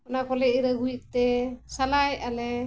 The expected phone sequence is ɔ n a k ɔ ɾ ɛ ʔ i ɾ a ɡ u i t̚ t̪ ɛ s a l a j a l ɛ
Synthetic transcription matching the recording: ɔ n a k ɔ l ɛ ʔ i ɾ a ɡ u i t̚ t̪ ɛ s a l a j a l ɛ